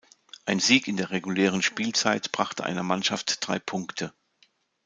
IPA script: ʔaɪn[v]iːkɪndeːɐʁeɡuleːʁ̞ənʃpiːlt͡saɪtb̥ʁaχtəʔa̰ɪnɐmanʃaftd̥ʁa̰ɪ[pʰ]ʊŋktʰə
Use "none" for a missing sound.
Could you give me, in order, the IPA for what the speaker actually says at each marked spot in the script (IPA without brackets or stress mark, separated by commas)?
z, pʰ